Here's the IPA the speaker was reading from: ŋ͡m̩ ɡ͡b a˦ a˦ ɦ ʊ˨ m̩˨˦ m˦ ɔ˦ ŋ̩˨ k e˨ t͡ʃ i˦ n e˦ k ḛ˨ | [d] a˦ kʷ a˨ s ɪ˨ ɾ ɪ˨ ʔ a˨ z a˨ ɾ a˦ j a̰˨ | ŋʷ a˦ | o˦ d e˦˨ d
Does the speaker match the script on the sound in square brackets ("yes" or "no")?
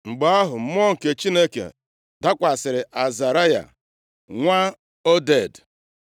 yes